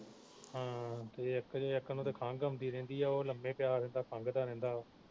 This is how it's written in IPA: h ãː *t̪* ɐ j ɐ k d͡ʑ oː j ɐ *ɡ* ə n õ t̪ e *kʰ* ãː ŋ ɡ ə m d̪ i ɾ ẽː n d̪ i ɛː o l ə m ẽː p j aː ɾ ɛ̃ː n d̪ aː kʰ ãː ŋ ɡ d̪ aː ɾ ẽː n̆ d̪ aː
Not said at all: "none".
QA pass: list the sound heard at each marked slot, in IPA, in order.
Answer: t̪, k, kʰ

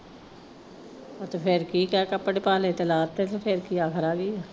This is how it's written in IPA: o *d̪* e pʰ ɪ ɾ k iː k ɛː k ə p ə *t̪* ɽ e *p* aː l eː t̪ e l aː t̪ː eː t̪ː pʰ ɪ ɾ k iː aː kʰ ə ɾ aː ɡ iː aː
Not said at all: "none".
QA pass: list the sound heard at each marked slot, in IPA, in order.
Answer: t̪, none, p

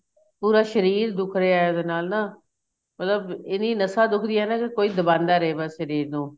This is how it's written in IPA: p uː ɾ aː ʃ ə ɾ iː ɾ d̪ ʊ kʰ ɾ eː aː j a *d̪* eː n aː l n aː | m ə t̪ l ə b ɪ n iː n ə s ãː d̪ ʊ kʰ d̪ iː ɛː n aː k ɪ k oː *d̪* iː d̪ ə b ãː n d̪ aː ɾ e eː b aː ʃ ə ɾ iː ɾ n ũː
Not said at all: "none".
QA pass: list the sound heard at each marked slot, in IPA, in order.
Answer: d̪, none

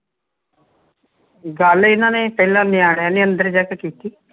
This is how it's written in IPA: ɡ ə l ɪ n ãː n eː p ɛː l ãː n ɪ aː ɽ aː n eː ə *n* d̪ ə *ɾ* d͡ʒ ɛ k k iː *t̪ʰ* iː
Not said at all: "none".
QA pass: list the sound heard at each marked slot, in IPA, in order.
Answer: n, ɾ, t̪

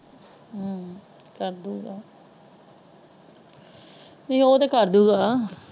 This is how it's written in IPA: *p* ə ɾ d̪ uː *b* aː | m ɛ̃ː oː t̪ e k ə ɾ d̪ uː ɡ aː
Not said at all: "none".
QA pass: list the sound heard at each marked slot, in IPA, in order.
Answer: k, ɡ

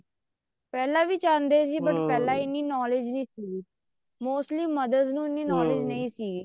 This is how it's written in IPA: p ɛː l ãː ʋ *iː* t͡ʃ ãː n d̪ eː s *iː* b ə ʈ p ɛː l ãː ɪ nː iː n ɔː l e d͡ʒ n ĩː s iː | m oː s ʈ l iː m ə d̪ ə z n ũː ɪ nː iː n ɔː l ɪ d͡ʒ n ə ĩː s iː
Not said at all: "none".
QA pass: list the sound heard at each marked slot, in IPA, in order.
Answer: iː, iː

